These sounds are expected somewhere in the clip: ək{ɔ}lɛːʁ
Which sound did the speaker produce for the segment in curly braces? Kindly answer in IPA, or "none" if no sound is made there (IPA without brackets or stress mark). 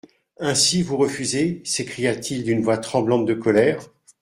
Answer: ɔ